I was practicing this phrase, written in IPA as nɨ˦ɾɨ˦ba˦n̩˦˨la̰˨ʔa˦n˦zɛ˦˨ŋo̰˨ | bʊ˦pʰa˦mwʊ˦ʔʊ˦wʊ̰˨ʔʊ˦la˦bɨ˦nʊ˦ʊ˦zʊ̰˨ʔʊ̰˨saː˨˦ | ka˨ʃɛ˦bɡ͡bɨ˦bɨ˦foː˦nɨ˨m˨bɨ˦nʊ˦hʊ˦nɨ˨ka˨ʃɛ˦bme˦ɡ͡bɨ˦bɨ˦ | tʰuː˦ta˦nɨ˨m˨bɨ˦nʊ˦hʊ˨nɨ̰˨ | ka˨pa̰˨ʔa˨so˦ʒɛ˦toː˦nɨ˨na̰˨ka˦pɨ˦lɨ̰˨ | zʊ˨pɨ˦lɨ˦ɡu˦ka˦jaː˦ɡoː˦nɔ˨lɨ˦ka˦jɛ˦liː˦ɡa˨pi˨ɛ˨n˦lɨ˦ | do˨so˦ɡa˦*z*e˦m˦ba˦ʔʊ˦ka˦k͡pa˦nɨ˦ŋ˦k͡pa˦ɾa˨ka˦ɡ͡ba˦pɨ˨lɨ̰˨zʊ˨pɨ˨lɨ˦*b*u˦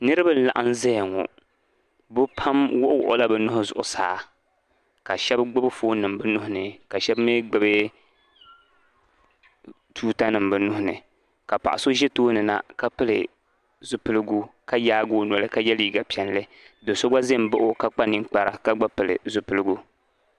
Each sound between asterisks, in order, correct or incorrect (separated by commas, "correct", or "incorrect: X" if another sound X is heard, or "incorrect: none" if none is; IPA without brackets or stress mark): correct, incorrect: ɡ